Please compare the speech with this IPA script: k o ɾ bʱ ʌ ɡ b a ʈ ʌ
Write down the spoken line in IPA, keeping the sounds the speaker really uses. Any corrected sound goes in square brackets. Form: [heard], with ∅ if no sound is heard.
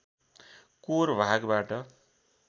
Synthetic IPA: k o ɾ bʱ [a] ɡ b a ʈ ʌ